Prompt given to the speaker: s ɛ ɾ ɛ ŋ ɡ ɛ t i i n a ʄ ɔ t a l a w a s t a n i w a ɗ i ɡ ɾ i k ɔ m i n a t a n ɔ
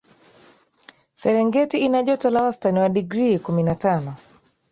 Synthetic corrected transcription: s ɛ ɾ ɛ ŋ ɡ ɛ t i i n a ʄ ɔ t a l a w a s t a n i w a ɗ i ɡ ɾ i k u m i n a t a n ɔ